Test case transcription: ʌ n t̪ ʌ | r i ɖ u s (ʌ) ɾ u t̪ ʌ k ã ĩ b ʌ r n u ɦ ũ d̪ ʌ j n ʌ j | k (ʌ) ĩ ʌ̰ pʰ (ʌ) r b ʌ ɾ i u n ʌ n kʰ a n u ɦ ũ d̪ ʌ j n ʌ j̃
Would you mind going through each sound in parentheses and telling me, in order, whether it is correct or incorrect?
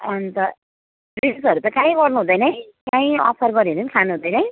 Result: correct, incorrect, correct

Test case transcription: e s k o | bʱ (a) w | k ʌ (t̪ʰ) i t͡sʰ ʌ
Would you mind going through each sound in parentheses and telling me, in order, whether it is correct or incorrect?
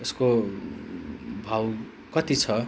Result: correct, incorrect

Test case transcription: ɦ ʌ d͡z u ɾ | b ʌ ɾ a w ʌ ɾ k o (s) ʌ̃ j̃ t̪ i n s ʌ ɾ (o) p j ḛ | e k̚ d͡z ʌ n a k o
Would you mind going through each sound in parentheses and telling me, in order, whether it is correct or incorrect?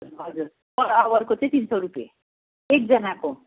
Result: incorrect, incorrect

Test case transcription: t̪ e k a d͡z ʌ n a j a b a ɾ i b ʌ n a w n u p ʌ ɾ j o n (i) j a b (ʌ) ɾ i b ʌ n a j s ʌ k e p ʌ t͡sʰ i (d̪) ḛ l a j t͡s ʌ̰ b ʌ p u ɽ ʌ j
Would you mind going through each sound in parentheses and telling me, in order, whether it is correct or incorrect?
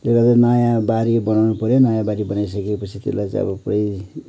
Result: incorrect, incorrect, incorrect

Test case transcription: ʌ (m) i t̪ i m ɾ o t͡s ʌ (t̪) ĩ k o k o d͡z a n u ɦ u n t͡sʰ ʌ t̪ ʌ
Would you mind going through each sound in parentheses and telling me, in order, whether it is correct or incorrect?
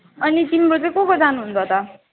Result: incorrect, incorrect

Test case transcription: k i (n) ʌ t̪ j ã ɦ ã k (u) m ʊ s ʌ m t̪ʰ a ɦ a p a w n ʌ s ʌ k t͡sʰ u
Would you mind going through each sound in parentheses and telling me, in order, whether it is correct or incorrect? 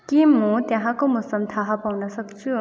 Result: incorrect, incorrect

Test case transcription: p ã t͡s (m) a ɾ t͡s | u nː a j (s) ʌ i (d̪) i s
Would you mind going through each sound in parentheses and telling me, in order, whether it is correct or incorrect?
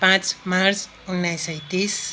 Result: correct, correct, incorrect

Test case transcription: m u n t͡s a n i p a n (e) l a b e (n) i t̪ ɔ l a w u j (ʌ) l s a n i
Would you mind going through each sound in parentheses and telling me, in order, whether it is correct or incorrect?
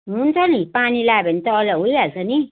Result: incorrect, correct, incorrect

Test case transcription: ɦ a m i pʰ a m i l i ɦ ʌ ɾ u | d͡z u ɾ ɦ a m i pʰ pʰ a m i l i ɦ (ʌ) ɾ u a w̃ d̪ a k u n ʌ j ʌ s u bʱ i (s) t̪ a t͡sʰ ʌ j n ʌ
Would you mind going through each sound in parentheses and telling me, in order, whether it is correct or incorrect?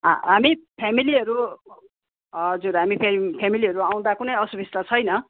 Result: correct, correct

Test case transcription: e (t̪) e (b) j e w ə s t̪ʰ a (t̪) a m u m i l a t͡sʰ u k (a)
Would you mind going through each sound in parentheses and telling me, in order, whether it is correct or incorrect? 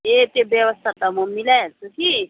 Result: correct, correct, correct, incorrect

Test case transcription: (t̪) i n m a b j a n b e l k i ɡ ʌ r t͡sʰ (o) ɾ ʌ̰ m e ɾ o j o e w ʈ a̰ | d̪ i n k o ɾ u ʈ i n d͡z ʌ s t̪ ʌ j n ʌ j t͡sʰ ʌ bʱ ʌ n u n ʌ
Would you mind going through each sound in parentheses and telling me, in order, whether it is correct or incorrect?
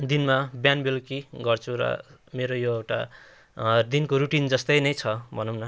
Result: incorrect, incorrect

